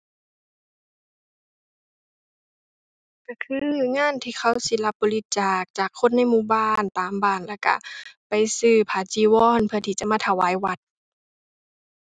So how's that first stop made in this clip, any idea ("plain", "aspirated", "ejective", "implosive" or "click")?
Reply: plain